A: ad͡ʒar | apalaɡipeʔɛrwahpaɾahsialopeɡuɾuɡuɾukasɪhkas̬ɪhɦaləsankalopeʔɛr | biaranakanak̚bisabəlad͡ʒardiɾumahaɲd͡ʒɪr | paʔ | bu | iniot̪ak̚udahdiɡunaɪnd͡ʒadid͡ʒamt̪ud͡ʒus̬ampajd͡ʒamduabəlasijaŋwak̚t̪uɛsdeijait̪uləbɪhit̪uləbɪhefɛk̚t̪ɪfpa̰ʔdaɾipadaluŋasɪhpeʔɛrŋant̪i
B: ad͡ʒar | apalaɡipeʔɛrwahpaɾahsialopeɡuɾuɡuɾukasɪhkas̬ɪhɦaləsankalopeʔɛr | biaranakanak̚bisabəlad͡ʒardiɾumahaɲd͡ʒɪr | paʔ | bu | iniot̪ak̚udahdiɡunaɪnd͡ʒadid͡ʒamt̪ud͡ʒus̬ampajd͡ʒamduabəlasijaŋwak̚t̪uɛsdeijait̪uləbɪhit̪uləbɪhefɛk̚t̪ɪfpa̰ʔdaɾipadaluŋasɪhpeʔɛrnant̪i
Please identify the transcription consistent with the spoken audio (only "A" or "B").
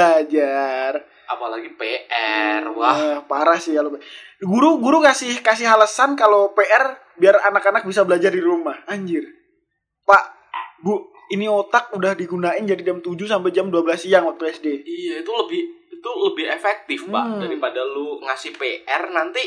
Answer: B